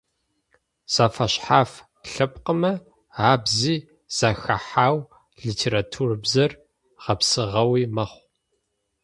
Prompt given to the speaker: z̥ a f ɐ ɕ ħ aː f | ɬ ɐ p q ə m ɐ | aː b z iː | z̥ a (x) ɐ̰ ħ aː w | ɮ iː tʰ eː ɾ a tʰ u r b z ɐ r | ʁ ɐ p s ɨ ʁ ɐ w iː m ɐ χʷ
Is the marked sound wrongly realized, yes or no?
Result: no